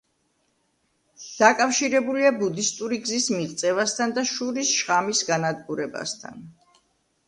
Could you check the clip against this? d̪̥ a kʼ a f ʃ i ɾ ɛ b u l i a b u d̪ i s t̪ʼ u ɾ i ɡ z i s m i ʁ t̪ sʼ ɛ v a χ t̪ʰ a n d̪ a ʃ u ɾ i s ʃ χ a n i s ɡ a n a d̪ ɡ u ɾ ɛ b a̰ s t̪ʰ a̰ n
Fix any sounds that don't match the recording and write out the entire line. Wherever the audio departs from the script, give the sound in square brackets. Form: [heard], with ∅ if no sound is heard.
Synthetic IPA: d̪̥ a kʼ a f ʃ i ɾ ɛ b u l i a b u d̪ i s t̪ʼ u ɾ i ɡ z i s m i ʁ t̪ sʼ ɛ v a [s] t̪ʰ a n d̪ a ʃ u ɾ i s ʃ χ a [m] i s ɡ a n a d̪ ɡ u ɾ ɛ b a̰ s t̪ʰ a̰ n